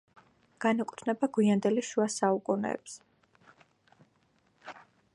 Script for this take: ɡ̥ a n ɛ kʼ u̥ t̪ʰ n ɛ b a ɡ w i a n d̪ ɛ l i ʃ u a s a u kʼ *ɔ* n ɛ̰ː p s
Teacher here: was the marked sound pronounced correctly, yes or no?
no